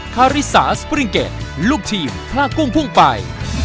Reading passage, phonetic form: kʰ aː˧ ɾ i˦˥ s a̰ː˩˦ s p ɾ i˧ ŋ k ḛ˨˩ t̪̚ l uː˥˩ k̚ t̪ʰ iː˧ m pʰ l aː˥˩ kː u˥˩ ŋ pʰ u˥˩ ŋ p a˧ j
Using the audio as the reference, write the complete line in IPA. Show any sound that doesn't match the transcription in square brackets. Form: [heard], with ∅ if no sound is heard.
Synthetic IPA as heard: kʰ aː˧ ɾ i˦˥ s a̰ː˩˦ s p ɾ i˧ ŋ k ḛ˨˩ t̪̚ l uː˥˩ k̚ t̪ʰ iː˧ m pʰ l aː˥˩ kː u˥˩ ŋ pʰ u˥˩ ŋ p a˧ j